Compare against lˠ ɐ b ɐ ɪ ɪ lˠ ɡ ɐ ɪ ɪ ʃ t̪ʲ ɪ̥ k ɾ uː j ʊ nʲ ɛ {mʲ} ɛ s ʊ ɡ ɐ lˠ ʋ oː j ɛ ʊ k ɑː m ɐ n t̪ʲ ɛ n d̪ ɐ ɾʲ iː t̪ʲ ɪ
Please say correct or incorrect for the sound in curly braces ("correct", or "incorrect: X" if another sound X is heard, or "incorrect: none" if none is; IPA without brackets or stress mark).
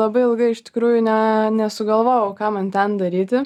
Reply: incorrect: nʲ